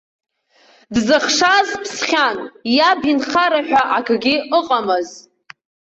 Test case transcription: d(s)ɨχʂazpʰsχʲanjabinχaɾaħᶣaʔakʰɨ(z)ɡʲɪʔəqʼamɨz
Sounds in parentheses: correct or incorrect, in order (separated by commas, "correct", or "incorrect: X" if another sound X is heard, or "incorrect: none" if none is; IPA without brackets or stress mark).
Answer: incorrect: z, incorrect: none